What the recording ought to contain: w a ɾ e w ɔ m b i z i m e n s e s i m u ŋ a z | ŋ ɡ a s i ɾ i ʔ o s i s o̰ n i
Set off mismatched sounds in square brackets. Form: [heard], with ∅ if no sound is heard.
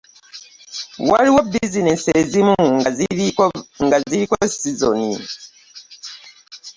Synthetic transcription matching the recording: w a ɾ [i] w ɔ [∅] b i z i [n] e n s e [z] i m u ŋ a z | ŋ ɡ a [z] i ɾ i [k] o s i [z] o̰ n i